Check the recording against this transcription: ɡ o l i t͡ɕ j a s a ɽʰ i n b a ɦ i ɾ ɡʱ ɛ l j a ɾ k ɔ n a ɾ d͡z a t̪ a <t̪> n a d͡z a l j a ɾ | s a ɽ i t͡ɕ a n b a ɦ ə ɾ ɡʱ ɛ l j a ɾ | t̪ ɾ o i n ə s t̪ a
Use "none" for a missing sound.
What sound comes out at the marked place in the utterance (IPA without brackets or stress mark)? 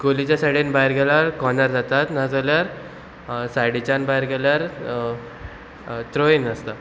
t̪